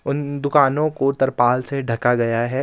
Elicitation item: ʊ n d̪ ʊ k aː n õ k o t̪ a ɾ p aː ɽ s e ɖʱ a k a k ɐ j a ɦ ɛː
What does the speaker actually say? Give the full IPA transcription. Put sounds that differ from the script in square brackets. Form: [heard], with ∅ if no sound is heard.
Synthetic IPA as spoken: ʊ n d̪ ʊ k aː n õ k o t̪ [ɐ] ɾ p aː [l] s e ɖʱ [ɐ] k a [ɡ] ɐ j a ɦ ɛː